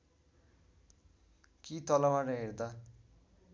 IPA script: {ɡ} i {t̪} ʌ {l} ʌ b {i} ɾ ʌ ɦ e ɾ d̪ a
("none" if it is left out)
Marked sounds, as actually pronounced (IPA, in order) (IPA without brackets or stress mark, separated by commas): k, t̪, l, a